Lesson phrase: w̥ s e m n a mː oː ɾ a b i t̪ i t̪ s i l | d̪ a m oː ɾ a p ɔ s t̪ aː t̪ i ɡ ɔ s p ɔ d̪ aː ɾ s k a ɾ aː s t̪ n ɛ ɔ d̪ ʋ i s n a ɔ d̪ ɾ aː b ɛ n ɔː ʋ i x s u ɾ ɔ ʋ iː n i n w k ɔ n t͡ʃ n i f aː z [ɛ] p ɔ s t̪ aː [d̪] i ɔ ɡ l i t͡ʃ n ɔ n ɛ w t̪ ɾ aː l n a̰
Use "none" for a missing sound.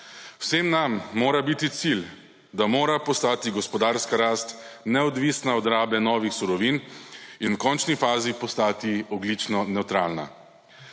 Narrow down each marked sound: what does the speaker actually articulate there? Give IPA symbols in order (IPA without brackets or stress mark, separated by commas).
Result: i, t̪